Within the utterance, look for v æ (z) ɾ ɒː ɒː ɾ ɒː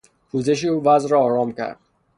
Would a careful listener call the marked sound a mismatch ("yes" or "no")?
no